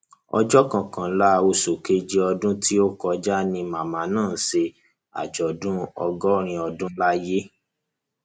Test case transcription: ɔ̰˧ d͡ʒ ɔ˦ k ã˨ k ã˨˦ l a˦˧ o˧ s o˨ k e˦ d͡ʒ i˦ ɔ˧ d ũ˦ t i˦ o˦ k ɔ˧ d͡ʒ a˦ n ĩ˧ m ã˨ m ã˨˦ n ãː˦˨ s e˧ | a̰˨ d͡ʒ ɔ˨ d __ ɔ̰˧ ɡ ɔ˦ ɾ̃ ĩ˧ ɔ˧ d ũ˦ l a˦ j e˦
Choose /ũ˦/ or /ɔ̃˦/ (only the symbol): ũ˦